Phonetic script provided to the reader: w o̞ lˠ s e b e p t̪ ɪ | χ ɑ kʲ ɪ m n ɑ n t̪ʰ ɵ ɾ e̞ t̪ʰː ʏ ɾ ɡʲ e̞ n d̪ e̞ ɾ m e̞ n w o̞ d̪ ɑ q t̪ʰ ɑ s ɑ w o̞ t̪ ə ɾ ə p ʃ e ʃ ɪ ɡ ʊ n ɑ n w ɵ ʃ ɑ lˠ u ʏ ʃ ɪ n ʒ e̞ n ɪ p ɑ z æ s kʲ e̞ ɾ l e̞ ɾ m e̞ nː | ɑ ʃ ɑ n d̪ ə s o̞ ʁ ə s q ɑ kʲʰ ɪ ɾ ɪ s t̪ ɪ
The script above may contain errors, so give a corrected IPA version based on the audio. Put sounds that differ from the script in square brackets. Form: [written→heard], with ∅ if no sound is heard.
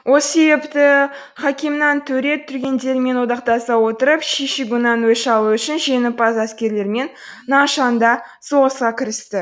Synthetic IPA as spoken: w o̞ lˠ s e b e p t̪ ɪ | χ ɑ kʲ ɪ m n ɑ n t̪ʰ ɵ ɾ e̞ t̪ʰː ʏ ɾ ɡʲ e̞ n d̪ e̞ ɾ m e̞ n w o̞ d̪ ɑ q [t̪ʰ→t̪] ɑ s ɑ w o̞ t̪ ə ɾ ə p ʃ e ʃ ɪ ɡ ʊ n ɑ n w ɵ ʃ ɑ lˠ u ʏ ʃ ɪ n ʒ e̞ n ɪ p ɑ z æ s kʲ e̞ ɾ l e̞ ɾ m e̞ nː | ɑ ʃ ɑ n d̪ [ə→ɑ] s o̞ ʁ ə s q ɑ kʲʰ ɪ ɾ ɪ s t̪ ɪ